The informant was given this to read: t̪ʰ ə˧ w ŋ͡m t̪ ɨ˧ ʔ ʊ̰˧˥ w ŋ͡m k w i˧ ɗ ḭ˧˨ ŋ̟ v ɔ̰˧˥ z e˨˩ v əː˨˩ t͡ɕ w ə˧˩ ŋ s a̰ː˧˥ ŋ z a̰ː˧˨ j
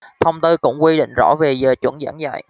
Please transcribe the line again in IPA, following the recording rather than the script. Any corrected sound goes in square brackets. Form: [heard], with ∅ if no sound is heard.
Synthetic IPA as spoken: t̪ʰ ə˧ w ŋ͡m t̪ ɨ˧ [k] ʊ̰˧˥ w ŋ͡m k w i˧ ɗ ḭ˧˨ ŋ̟ [z] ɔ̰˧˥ [v] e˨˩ [z] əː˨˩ t͡ɕ w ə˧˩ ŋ [z] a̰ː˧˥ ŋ z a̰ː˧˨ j